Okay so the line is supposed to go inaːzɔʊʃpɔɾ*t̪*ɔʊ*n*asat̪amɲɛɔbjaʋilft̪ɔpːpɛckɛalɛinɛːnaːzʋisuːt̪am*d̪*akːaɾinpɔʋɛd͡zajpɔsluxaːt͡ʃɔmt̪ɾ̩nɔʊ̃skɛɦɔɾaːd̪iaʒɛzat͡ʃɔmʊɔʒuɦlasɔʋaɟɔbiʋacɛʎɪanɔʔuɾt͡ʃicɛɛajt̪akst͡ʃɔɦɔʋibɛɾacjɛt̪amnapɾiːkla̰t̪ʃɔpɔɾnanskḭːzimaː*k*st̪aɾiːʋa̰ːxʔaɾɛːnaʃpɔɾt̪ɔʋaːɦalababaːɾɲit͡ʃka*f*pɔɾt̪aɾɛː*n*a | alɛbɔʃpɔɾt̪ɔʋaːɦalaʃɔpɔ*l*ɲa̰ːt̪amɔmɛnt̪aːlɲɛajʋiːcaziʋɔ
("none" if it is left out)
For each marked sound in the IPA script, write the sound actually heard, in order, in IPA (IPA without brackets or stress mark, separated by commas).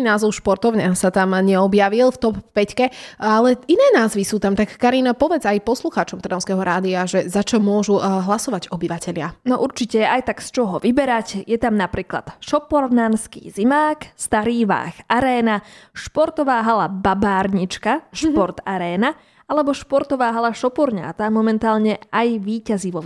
t̪, ɲ, t̪, k, ʃ, n, ɾ